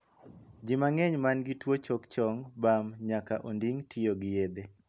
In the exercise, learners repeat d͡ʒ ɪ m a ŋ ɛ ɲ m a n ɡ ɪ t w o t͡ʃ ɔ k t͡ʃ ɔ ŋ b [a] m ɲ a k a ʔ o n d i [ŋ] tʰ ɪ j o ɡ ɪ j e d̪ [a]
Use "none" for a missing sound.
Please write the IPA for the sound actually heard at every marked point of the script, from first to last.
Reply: a, ŋ, e

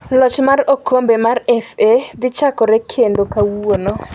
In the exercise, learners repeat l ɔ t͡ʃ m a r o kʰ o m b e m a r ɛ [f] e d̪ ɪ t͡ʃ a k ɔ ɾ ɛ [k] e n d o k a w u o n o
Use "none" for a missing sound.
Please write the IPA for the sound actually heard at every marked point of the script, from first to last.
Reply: f, kʰ

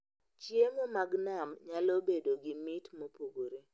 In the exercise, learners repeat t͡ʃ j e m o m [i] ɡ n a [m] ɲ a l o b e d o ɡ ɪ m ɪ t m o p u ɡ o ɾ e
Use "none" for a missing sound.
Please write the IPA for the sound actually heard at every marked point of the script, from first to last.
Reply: a, m

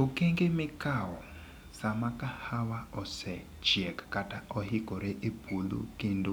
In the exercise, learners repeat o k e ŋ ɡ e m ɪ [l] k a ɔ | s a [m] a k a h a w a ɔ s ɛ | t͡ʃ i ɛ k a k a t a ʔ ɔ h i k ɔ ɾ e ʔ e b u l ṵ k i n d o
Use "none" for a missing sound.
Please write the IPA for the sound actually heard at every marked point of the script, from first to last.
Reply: none, m

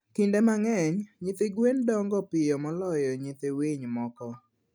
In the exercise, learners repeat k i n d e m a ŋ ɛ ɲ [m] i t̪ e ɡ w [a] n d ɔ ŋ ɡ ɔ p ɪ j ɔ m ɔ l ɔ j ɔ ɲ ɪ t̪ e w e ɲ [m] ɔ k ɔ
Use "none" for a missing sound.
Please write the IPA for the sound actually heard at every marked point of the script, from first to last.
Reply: ɲ, e, m

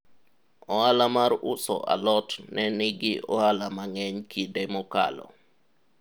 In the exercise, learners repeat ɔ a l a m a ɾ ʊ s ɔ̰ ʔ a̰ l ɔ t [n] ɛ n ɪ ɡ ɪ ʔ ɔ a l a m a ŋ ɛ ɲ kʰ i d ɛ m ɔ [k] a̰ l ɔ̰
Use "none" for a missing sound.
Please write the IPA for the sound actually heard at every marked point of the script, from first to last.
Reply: n, k

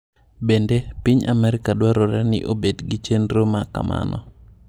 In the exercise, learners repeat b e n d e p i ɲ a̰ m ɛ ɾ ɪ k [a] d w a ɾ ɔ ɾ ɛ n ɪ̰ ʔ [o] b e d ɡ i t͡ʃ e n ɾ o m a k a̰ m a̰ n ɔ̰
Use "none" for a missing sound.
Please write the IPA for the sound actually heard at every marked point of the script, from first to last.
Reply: a, o

